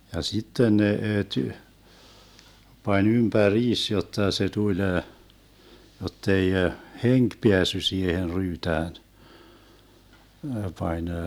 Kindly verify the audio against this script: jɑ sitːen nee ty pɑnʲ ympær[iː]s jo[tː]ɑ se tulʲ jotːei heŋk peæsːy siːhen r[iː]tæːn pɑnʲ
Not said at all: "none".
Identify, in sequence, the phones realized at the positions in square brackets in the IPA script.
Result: iː, tː, yː

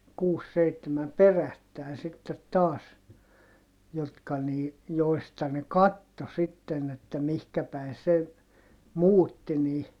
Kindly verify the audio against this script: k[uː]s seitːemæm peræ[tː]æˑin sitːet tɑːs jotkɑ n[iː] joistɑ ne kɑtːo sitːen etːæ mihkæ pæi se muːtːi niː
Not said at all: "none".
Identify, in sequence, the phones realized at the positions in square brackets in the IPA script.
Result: uː, tː, iː

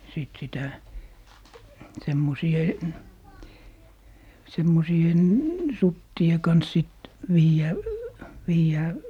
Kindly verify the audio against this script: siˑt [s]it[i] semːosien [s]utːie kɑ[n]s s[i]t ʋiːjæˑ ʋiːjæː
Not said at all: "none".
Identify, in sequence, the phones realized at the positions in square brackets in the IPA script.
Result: s, æ, s, n, i

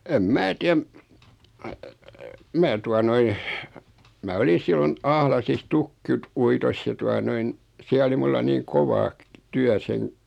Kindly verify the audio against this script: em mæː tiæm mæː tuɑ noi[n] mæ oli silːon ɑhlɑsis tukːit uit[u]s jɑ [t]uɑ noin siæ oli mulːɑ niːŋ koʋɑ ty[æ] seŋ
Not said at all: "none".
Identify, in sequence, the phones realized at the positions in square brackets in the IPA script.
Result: n, o, t, æ

